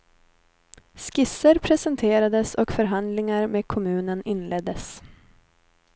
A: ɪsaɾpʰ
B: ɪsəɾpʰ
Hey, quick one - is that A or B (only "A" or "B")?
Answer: B